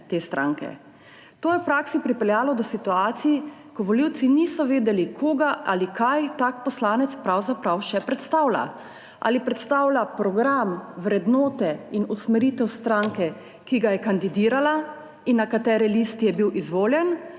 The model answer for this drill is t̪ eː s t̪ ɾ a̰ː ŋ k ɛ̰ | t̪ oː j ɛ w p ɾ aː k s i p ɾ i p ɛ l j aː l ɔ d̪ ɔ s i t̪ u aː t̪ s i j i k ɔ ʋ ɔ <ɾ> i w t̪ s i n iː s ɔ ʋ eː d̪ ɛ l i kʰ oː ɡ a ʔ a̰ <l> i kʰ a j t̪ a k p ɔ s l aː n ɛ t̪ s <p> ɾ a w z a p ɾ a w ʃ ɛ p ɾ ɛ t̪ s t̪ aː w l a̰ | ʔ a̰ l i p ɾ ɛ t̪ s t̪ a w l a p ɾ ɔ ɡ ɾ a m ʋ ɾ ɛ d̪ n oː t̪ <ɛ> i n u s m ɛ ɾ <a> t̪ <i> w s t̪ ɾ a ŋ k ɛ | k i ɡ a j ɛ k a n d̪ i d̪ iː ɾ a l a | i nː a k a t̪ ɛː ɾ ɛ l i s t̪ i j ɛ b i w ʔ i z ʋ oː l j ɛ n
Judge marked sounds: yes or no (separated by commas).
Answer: no, yes, yes, yes, no, no